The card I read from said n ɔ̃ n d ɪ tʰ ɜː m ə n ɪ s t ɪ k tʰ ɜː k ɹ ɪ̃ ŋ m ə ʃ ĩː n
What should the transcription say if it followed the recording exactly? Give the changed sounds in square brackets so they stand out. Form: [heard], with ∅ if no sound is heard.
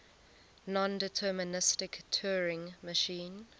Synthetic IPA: n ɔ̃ n d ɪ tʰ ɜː m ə n ɪ s t ɪ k tʰ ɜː [∅] ɹ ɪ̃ ŋ m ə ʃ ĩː n